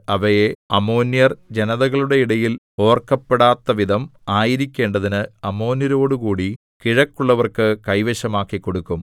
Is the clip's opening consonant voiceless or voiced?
voiced